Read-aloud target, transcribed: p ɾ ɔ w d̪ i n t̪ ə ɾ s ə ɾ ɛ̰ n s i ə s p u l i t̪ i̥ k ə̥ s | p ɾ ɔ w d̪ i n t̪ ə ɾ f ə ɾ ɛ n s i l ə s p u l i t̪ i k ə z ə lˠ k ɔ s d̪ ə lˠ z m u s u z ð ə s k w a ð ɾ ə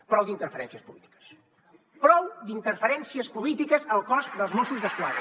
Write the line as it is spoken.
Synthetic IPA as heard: p ɾ ɔ w d̪ i n t̪ ə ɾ f ə ɾ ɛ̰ n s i ə s p u l i t̪ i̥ k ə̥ s | p ɾ ɔ w d̪ i n t̪ ə ɾ f ə ɾ ɛ n s i ə s p u l i t̪ i k ə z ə lˠ k ɔ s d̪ ə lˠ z m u s u z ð ə s k w a ð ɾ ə

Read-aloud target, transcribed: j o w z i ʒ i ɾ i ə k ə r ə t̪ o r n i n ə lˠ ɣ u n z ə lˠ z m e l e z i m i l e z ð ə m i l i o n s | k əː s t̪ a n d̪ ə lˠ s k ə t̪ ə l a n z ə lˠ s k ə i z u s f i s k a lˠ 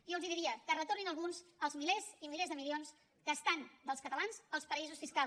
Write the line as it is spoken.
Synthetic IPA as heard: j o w z i ð i ɾ i ə k ə r ə t̪ o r n i n ə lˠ ɣ u n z ə lˠ z m i l e z i m i l e z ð ə m i l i o n s | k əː s t̪ a n d̪ ə lˠ s k ə t̪ ə l a n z ə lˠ s p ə i z u s f i s k a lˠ

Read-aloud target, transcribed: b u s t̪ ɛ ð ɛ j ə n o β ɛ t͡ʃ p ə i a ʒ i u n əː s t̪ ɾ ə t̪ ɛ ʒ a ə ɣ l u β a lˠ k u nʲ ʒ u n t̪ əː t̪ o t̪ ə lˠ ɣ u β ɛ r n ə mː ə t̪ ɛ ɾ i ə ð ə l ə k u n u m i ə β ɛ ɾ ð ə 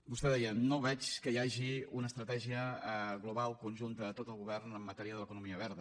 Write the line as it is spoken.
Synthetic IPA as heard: b u s t̪ ɛ ð ɛ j ə n o β ɛ t͡ʃ k ə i a ʒ i u n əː s t̪ ɾ ə t̪ ɛ ʒ i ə ɣ l u β a lˠ k u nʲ ʒ u n t̪ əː t̪ o t̪ ə lˠ ɣ u β ɛ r n ə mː ə t̪ ɛ ɾ i ə ð ə l ə k u n u m i ə β ɛ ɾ ð ə

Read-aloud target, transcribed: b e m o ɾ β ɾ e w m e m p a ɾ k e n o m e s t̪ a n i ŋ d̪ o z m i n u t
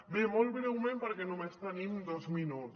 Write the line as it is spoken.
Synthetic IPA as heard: b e m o l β ɾ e w m e m p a ɾ k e n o m e s t̪ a n i m d̪ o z m i n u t

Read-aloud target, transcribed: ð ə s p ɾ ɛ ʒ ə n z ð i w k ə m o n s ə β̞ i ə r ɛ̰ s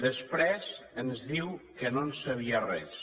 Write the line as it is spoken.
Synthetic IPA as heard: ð ə s p ɾ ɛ z ə n z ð i w k ə n o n s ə β̞ i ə r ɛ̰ s

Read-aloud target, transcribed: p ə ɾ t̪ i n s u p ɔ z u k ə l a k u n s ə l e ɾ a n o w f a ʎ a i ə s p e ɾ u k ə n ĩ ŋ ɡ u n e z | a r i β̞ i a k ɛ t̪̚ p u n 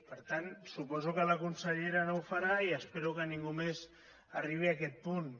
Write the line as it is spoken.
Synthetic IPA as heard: p ə ɾ t̪ a n s u p ɔ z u k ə l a k u n s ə ʎ e ɾ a n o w f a ɾ a i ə s p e ɾ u k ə n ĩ ŋ ɡ u m e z | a r i β̞ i a k ɛ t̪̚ p u n

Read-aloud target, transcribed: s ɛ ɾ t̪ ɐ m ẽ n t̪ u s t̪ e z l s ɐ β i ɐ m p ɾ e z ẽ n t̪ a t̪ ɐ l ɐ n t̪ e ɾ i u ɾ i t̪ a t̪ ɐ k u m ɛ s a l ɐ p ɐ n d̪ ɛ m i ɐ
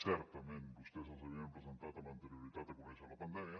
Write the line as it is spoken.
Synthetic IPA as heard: s ɛ ɾ t̪ ɐ m ẽ n t̪ u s t̪ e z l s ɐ β i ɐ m p ɾ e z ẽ n t̪ a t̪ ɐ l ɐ n t̪ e ɾ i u ɾ i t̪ a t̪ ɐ k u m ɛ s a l ɐ p ɐ n d̪ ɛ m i ɐ

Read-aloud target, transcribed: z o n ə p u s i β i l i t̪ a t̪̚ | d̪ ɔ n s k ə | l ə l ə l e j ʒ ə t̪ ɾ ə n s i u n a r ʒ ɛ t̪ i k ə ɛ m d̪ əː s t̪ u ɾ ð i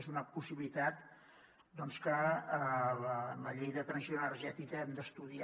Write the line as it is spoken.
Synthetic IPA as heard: z u n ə p u s i β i l i t̪ a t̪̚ | d̪ ɔ n s k ə | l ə l ə ʎ e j ð ə t̪ ɾ ə n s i o n ə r ʒ ɛ t̪ i k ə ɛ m d̪ ə s t̪ u ð i

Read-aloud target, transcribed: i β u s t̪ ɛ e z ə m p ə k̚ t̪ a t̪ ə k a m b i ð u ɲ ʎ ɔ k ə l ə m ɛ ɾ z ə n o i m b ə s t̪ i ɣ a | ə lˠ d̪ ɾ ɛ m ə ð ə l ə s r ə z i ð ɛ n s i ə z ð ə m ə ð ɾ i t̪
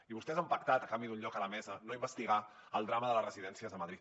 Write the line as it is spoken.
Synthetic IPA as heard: i β u s t̪ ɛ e z ə m p ə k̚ t̪ a t̪ ə k a m b i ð u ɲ ʎ ɔ k ə l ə m ɛ z ə n o i m b ə s t̪ i ɣ a | ə lˠ d̪ ɾ a m ə ð ə l ə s r ə z i ð ɛ n s i ə z ð ə m ə ð ɾ i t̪

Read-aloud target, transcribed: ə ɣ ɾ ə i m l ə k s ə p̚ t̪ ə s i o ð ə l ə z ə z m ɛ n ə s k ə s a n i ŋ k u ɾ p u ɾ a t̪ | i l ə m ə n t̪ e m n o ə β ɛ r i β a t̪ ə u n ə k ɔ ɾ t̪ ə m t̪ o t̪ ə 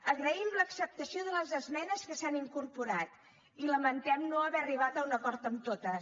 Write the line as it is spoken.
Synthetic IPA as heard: ə ɣ ɾ ə i m l ə k s ə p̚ t̪ ə s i o ð ə l ə z ə z m ɛ n ə s k ə s a n i ŋ k u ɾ p u ɾ a t̪ | i l ə m ə n t̪ ɛ m n o ə β ɛ r i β a t̪ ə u n ə k ɔ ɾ t̪ ə m t̪ o t̪ ə

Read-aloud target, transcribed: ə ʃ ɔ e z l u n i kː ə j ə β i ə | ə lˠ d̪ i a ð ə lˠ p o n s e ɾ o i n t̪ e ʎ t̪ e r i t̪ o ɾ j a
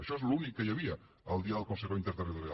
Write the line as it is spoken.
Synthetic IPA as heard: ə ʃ ɔ e z l u n i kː ə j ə β i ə | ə lˠ d̪ i a ð ə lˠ k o n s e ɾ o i n t̪ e ɾ t̪ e r i t̪ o ɾ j a

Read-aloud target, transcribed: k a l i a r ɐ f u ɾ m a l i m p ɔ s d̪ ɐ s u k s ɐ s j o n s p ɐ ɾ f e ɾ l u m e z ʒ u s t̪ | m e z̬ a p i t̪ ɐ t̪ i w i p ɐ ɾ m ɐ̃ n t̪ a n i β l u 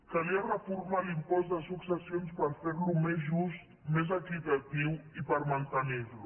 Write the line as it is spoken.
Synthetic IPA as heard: k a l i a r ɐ f u ɾ m a l i m p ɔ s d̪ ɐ s u k s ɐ s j o n s p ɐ ɾ f e ɾ l u m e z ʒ u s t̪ | m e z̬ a k i t̪ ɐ t̪ i w i p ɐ ɾ m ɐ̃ n t̪ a n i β l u

